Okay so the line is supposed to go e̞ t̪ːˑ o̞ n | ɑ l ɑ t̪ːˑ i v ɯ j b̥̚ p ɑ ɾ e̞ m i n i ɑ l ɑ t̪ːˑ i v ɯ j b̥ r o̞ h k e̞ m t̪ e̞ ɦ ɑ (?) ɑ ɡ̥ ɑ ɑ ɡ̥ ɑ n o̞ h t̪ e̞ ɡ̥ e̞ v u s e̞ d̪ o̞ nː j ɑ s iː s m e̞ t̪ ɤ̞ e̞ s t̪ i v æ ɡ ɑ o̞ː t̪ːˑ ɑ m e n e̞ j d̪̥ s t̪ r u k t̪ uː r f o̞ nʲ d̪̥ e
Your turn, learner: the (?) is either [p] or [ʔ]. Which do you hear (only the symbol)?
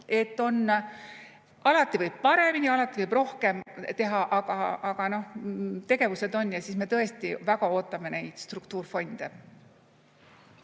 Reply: ʔ